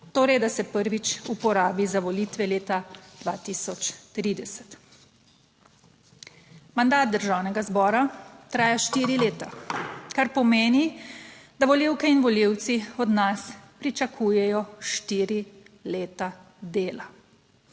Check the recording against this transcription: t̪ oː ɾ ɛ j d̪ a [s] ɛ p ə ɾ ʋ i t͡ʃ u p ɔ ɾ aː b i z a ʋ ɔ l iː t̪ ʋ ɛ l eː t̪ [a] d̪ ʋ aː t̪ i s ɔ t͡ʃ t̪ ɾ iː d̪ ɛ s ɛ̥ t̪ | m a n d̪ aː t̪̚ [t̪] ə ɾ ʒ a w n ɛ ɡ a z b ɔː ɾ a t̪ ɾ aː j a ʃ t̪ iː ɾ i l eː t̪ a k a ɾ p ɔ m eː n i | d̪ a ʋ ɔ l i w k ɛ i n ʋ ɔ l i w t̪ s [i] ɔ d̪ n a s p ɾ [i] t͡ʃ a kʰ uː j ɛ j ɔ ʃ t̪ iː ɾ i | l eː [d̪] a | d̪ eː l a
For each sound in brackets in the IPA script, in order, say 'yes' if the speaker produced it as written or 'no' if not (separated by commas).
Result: yes, yes, no, yes, yes, no